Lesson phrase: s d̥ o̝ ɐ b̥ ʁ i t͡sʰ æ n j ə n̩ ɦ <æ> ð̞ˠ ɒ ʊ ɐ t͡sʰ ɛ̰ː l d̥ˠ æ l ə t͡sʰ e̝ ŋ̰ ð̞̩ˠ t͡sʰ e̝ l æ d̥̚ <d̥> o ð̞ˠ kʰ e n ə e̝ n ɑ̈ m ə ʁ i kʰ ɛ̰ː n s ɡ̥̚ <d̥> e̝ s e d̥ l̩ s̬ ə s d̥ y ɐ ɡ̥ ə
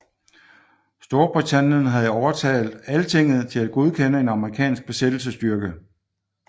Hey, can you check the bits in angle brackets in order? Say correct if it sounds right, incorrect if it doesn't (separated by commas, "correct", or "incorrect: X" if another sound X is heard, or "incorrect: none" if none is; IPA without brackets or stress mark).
correct, incorrect: ɡ̥, incorrect: b̥